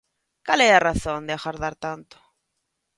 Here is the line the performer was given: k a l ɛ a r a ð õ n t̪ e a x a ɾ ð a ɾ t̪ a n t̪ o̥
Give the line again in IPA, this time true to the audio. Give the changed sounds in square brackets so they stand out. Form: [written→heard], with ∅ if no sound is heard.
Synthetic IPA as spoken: k a l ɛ a r a [ð→θ] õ n [t̪→d̪] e a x a ɾ ð a ɾ t̪ a n t̪ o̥